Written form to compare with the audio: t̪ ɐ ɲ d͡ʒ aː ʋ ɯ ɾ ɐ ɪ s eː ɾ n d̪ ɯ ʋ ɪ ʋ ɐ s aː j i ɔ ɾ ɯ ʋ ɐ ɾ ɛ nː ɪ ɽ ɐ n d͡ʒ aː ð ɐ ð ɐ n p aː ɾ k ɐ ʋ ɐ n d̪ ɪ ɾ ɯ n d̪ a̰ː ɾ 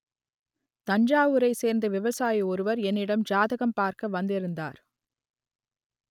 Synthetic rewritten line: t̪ ɐ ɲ d͡ʒ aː ʋ ɯ ɾ ɐ ɪ s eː ɾ n d̪ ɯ ʋ ɪ ʋ ɐ s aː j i ɔ ɾ ɯ ʋ ɐ ɾ ɛ nː ɪ ɽ ɐ m d͡ʒ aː ð ɐ ɣ ɐ m p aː ɾ k ɐ ʋ ɐ n d̪ ɪ ɾ ɯ n d̪ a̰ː ɾ